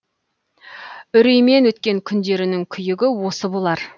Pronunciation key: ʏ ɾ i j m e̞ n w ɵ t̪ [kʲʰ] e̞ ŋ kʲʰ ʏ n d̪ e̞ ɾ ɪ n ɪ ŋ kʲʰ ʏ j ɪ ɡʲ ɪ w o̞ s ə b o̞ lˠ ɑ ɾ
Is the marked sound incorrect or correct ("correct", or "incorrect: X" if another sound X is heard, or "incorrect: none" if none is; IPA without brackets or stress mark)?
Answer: incorrect: kʲ